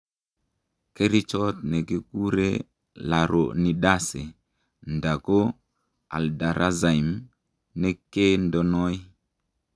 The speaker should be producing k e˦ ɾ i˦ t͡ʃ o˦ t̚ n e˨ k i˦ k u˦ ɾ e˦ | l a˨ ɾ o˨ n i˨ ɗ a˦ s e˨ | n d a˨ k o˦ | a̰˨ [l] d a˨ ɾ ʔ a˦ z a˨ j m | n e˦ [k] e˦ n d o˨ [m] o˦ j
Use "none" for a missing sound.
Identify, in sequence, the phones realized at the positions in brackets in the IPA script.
l, k, n

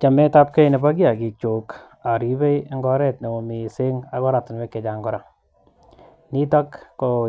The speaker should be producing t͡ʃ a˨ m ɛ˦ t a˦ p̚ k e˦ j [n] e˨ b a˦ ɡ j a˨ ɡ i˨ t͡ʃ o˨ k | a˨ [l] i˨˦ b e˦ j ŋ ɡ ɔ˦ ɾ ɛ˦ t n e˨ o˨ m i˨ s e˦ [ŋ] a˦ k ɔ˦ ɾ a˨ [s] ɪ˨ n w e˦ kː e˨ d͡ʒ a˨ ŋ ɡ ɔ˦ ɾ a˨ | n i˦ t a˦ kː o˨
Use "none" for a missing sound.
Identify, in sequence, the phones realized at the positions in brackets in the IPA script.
n, ɾ, ŋ, t

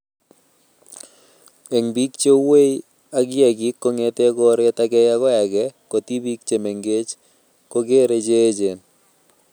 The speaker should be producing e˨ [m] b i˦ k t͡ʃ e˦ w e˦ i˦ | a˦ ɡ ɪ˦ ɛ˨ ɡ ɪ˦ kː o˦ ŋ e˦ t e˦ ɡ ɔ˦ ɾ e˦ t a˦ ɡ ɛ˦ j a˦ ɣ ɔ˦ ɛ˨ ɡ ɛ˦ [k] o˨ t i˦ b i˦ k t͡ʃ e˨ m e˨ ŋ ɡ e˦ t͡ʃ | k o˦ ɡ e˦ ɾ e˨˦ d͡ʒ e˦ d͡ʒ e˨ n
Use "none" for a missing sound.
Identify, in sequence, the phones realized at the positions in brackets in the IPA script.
ŋ, k

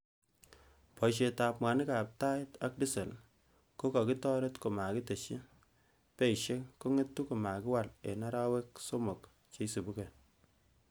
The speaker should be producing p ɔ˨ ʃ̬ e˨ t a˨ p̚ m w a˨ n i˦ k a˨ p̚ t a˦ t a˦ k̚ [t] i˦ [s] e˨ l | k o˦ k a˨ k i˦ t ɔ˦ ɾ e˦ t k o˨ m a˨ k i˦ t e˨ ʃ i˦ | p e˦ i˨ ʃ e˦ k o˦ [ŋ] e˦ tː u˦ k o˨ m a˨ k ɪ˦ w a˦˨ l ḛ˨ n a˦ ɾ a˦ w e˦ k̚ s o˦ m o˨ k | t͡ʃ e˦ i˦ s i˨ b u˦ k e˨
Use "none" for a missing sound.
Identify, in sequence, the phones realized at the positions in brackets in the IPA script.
d, s, ŋ

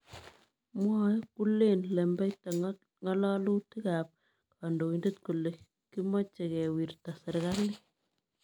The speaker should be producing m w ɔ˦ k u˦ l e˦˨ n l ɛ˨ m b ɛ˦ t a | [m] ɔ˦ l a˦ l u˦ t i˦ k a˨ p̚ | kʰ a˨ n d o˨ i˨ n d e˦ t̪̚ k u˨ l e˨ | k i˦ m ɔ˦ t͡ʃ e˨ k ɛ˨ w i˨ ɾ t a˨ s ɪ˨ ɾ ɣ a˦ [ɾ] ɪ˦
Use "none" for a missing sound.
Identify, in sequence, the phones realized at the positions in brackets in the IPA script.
ŋ, l

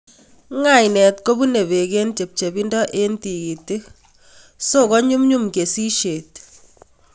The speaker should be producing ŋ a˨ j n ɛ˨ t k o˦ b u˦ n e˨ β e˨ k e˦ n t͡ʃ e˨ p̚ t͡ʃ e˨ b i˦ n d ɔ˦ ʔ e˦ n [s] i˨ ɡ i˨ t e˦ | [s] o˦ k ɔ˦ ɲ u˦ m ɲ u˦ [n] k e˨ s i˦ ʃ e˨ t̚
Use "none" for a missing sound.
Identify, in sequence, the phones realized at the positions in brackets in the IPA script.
t, s, m

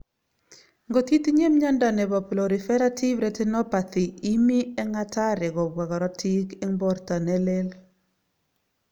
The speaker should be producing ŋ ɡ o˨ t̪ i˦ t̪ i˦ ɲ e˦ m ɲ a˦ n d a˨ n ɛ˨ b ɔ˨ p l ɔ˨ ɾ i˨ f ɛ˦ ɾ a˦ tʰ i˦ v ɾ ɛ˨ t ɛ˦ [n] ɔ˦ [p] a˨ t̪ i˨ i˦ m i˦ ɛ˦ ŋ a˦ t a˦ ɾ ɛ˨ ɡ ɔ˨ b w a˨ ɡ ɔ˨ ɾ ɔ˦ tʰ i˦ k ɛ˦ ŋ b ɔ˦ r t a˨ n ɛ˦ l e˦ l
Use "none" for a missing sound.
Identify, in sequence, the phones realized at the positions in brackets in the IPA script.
n, p

